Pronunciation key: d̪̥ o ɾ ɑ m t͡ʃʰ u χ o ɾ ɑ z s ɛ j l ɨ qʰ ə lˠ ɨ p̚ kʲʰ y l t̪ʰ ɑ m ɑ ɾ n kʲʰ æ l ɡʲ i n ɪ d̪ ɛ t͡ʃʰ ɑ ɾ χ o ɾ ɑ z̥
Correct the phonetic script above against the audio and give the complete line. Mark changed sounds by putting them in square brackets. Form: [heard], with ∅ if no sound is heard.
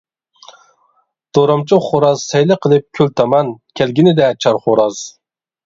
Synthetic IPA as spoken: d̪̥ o ɾ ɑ m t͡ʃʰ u χ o ɾ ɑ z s ɛ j l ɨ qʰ ə lˠ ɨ p̚ kʲʰ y l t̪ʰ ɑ m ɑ [∅] n kʲʰ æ l ɡʲ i n ɪ d̪ ɛ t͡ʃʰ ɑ ɾ χ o ɾ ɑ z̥